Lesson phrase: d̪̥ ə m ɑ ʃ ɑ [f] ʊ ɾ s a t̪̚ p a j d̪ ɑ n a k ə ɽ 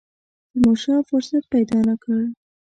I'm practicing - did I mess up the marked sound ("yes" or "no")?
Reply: no